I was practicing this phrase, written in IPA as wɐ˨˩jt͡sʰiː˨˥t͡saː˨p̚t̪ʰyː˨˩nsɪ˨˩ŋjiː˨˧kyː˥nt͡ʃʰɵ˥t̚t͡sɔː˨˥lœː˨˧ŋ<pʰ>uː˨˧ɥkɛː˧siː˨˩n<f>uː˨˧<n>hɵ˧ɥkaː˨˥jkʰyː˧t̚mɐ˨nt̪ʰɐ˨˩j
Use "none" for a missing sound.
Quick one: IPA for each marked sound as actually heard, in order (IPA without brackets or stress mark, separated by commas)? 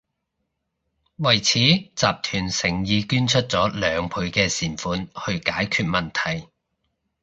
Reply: pʰ, f, n